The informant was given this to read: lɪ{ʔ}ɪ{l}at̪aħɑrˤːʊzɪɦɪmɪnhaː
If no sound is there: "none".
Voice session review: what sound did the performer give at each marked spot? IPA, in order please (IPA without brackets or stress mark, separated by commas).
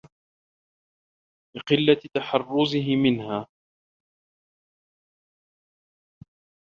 q, lː